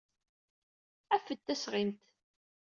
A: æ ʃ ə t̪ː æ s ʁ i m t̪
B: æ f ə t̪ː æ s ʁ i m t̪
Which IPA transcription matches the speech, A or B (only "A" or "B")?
B